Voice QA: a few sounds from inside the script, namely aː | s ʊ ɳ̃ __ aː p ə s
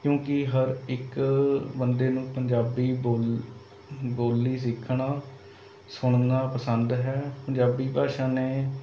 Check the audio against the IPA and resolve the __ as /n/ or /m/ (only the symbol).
n